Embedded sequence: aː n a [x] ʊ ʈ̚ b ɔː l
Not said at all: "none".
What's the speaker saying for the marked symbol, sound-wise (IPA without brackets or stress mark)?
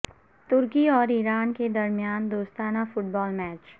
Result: f